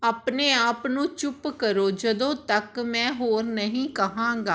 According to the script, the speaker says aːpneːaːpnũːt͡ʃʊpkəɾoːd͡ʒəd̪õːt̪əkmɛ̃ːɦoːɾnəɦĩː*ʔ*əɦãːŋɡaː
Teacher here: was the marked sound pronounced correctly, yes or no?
no